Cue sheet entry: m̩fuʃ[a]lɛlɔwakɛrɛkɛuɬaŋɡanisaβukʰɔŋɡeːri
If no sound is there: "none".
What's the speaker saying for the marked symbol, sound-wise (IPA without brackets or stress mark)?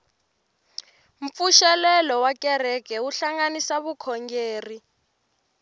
ɛ